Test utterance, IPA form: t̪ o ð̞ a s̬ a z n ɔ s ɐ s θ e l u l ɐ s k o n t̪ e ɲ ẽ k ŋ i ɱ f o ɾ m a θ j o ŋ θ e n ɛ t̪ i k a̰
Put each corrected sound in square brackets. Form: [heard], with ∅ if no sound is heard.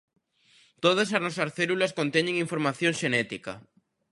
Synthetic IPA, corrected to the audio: t̪ o ð̞ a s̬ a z n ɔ s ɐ s θ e l u l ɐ s k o n t̪ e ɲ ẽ [∅] ŋ i ɱ f o ɾ m a θ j o ŋ [ʃ] e n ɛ t̪ i k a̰